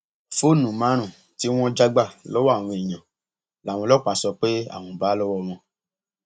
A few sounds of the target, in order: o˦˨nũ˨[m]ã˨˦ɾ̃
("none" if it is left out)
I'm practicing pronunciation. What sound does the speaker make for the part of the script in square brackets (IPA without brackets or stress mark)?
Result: m